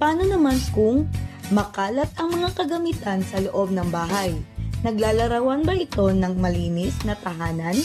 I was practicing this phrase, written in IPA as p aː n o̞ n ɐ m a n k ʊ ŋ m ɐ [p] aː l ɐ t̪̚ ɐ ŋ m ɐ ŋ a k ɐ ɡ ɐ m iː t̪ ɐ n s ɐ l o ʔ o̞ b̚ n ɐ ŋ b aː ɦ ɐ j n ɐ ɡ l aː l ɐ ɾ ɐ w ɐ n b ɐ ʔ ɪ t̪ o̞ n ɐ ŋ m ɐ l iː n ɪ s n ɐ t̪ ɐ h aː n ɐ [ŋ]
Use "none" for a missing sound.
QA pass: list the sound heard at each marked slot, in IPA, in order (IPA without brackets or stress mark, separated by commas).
k, n